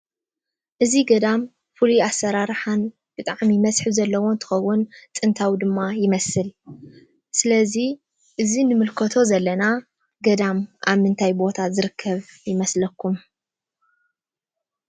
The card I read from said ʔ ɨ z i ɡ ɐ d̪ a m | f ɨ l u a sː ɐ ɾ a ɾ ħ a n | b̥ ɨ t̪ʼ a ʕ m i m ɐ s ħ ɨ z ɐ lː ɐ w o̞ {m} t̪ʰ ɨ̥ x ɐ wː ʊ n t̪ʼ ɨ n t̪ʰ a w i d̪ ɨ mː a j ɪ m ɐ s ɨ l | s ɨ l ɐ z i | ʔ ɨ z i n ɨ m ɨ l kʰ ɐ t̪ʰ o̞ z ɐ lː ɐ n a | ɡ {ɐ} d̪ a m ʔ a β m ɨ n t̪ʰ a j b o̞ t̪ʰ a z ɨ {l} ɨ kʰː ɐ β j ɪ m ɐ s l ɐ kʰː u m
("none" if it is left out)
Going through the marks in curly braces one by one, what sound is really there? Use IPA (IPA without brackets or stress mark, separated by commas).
n, ɐ, ɾ